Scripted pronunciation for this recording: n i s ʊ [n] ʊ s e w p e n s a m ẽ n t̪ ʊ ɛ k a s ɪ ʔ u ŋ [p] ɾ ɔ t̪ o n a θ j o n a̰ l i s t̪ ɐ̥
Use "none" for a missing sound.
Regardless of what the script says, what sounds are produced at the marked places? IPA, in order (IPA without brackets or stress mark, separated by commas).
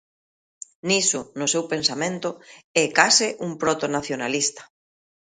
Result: n, p